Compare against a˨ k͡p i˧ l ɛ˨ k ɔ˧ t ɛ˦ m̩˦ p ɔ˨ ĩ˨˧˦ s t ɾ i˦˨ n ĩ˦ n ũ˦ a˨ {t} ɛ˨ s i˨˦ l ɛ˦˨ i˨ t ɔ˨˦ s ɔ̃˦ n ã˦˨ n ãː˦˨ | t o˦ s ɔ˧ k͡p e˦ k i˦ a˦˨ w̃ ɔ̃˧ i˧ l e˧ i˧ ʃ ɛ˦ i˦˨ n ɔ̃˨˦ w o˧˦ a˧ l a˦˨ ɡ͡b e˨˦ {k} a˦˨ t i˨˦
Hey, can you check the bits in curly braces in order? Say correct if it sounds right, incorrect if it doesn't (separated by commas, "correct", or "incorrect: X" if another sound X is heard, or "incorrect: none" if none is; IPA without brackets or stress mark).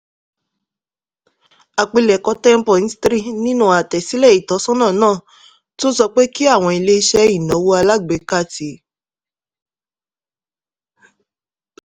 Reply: correct, correct